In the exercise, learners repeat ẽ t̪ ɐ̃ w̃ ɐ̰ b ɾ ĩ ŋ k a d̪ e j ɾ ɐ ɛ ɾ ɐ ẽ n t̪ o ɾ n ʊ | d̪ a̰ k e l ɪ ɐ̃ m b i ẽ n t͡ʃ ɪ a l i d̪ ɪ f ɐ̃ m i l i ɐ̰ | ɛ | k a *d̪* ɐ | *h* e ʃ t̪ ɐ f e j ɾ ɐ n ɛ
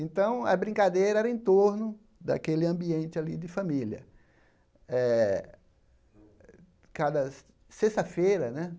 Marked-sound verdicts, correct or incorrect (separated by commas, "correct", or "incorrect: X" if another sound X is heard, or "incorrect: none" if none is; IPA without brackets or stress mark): correct, incorrect: s